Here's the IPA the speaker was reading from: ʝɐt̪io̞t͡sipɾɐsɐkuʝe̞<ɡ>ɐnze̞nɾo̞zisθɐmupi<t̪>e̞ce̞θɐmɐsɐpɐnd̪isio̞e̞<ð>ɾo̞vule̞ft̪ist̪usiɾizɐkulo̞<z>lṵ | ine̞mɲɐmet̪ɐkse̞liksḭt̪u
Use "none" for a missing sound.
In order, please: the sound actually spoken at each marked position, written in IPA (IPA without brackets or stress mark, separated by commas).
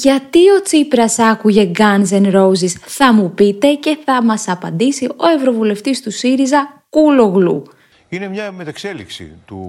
ɡ, t̪, v, ɣ